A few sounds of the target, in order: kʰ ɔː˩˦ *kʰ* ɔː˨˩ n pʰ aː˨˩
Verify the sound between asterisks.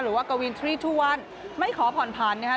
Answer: incorrect: pʰ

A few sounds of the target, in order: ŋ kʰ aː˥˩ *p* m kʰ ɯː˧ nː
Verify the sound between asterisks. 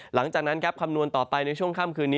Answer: incorrect: none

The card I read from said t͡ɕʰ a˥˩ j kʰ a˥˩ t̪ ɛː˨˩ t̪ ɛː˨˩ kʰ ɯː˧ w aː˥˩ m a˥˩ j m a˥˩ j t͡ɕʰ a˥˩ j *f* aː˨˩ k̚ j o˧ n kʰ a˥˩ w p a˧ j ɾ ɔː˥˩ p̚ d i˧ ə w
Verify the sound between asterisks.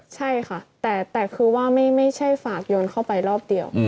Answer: correct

